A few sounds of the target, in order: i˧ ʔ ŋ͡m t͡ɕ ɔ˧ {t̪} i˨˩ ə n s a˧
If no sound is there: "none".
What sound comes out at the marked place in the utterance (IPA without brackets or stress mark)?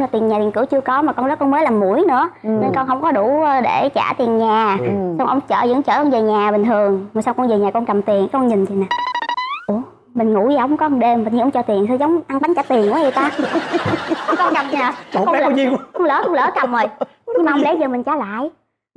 t̪